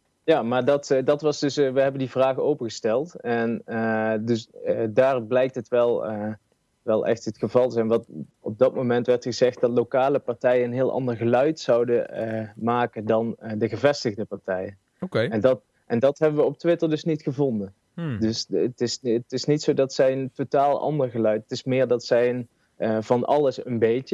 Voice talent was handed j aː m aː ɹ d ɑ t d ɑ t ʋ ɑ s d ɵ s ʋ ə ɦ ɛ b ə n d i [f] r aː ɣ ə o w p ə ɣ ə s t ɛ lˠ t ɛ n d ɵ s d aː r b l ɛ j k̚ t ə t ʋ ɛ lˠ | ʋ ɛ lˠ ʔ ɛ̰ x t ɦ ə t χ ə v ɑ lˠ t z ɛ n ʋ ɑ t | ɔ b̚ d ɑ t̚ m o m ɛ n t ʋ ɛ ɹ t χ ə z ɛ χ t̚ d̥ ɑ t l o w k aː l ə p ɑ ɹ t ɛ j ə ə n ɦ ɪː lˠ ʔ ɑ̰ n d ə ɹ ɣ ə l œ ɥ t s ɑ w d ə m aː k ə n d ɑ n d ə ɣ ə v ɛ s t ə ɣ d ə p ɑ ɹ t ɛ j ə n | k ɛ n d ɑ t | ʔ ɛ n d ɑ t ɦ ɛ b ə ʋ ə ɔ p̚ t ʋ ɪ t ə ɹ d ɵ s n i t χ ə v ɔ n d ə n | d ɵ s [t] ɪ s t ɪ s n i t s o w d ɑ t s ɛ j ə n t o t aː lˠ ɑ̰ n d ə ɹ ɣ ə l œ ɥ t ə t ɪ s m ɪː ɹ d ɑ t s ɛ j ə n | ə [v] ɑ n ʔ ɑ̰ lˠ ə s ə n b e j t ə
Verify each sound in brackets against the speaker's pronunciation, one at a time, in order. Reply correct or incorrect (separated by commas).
incorrect, correct, correct